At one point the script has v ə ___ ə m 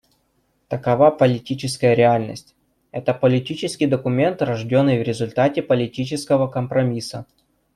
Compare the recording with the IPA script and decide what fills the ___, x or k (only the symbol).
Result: k